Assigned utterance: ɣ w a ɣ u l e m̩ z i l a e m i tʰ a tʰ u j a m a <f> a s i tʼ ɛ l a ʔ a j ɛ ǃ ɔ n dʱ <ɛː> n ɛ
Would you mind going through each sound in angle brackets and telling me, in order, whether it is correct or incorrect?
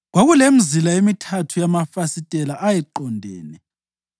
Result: correct, correct

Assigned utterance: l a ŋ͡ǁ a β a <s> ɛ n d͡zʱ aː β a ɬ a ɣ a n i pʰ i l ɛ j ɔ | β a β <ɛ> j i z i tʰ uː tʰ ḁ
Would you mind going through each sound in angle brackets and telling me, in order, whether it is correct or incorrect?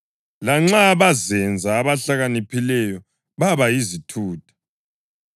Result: incorrect, incorrect

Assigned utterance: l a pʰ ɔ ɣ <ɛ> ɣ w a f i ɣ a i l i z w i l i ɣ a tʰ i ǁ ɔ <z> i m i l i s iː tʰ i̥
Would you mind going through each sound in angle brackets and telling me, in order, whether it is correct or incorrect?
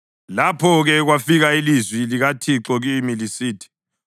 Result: correct, incorrect

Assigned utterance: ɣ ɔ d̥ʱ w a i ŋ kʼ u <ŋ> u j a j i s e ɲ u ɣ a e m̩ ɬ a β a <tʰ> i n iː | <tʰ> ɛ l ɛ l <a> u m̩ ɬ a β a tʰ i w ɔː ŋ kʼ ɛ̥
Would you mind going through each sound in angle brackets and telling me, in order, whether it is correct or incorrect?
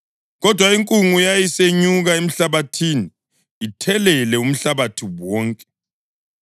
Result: correct, correct, correct, incorrect

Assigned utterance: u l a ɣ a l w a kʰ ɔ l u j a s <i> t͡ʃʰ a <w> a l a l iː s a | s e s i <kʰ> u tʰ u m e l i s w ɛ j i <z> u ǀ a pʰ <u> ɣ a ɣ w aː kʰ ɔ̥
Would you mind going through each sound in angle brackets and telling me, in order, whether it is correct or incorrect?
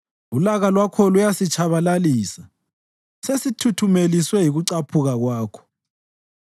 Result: correct, incorrect, incorrect, incorrect, correct

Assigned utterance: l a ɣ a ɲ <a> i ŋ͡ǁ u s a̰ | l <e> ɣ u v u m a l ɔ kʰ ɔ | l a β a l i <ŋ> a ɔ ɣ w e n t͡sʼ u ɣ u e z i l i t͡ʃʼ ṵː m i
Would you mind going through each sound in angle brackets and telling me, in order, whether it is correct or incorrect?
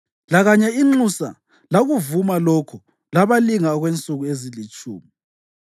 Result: incorrect, incorrect, correct

